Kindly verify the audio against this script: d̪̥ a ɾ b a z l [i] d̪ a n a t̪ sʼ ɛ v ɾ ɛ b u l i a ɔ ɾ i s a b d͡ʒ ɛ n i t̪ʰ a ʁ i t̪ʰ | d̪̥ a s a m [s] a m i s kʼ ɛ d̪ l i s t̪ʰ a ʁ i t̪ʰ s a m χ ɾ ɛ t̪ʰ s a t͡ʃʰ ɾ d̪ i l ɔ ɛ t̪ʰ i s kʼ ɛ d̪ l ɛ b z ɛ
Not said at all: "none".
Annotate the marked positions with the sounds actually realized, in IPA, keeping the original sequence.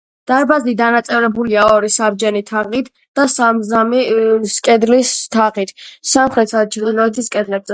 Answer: i, z

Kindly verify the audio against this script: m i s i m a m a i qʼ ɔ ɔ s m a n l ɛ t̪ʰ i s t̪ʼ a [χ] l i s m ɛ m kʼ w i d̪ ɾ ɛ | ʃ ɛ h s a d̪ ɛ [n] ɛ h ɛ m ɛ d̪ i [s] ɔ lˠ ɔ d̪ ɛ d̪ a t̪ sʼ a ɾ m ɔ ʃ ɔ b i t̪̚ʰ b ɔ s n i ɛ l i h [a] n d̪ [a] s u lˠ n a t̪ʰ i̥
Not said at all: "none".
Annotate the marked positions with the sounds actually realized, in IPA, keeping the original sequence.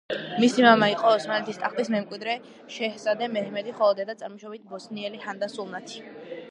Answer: χ, m, χ, a, a

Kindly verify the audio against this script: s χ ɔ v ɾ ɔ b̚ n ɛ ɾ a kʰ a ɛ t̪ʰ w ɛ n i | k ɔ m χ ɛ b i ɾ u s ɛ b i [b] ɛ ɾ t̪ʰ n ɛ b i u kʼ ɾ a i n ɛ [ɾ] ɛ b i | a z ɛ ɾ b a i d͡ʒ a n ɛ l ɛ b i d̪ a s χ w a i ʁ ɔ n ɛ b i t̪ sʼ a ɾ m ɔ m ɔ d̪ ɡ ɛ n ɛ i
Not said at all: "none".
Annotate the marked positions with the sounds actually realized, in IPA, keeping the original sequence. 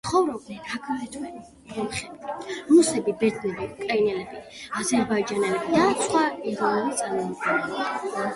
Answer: b, l

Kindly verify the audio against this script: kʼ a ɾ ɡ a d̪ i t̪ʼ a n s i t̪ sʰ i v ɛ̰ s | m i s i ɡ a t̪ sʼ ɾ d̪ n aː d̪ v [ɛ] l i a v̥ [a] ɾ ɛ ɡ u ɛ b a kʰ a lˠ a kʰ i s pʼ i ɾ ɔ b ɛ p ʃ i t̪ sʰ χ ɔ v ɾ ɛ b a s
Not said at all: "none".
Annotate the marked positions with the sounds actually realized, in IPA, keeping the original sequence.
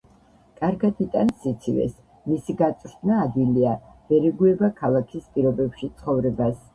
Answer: i, ɛ

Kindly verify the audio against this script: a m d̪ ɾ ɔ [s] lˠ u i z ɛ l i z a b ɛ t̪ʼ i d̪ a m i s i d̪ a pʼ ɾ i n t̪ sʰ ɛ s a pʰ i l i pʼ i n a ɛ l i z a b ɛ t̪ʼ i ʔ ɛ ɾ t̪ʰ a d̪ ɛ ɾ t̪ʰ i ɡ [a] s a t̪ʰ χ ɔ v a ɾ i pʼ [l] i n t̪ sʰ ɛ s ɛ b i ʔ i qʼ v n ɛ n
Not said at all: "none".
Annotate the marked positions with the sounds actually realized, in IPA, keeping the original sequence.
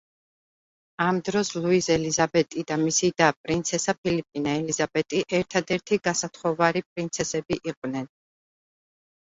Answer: s, a, ɾ

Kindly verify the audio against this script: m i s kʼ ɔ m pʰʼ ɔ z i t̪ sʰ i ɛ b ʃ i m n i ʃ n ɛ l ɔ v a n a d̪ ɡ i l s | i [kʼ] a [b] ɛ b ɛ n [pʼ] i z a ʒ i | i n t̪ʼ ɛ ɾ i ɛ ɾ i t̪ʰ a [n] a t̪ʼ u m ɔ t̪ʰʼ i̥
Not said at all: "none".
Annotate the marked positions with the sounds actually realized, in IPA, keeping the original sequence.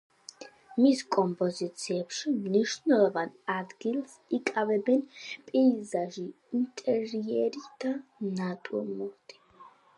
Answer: kʼ, v, pʼ, n

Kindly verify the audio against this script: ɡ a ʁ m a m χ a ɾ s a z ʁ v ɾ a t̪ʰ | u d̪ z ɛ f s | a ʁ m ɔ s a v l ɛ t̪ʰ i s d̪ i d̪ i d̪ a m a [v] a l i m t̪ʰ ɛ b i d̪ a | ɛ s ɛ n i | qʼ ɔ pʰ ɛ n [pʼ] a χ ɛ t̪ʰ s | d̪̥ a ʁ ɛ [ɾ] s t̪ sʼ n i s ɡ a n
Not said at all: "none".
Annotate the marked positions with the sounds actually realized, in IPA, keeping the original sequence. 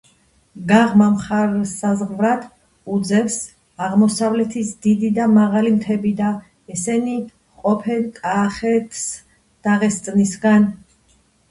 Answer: ʁ, kʼ, none

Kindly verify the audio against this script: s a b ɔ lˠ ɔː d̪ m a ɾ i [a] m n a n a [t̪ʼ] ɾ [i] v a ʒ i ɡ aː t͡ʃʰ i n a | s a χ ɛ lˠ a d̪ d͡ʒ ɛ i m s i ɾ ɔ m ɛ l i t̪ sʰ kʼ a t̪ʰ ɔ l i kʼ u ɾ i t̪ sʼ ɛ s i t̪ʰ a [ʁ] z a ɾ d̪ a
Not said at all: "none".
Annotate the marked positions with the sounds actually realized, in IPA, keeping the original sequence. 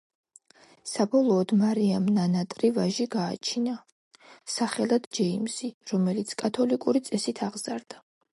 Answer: a, t̪ʼ, i, ʁ

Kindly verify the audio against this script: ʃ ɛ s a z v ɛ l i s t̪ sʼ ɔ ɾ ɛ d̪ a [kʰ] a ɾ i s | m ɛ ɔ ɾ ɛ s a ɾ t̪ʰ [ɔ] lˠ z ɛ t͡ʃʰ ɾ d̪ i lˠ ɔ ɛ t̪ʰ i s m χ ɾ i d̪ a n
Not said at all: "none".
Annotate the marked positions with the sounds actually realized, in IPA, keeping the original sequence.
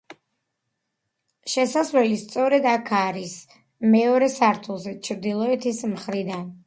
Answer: kʰ, u

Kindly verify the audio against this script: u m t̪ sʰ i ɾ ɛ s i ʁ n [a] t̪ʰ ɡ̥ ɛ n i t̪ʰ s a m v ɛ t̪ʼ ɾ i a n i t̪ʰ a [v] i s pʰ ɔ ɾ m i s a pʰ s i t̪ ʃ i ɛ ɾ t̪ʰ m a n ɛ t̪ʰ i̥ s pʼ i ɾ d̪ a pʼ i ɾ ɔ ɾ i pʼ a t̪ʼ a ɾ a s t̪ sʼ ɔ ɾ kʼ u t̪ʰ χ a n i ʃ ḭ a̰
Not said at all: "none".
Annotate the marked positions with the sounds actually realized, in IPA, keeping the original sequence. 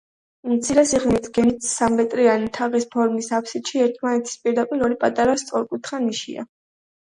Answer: i, ʁ

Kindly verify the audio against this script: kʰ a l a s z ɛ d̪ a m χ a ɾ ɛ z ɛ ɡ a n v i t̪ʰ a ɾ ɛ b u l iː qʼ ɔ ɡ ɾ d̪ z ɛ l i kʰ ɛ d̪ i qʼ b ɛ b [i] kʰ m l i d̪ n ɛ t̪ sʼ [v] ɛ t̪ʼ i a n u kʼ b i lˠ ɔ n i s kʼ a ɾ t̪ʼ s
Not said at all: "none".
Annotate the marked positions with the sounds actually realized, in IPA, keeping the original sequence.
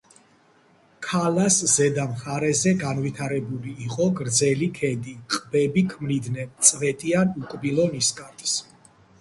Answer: i, v

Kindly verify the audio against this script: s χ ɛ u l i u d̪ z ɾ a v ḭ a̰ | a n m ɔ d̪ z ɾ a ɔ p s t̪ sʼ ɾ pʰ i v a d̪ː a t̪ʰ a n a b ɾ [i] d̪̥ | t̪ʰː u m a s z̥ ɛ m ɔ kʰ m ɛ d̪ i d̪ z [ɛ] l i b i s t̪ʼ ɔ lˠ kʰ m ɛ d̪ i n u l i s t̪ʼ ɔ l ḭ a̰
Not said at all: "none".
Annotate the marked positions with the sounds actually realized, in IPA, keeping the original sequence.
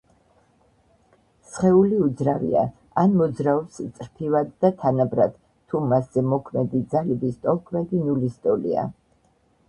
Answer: a, a

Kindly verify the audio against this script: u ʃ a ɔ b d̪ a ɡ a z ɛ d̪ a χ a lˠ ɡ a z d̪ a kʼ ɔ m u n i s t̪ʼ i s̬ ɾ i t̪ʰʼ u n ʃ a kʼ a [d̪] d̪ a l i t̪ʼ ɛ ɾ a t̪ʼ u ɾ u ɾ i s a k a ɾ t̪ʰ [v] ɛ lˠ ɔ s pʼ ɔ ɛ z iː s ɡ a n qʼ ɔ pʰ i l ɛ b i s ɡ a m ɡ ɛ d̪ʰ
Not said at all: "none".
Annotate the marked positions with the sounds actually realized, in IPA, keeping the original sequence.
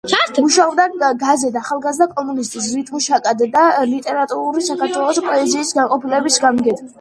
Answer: d̪, w

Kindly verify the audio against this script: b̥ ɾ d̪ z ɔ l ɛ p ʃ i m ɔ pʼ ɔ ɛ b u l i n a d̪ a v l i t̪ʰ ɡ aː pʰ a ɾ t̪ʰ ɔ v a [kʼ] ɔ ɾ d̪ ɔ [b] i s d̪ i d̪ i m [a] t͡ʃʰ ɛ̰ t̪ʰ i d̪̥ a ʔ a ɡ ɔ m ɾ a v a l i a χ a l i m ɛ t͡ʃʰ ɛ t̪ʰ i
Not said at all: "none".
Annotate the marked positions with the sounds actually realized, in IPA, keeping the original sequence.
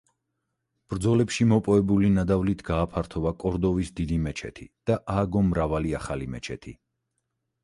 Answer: kʼ, v, ɛ

